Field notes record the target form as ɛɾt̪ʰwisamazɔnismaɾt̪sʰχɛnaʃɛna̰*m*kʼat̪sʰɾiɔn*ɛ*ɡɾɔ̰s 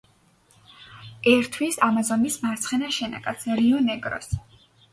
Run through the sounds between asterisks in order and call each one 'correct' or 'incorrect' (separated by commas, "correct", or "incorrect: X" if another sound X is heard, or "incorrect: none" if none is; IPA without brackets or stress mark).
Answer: incorrect: none, correct